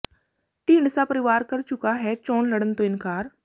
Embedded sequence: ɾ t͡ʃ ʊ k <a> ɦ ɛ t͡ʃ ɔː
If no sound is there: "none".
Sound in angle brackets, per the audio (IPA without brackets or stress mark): a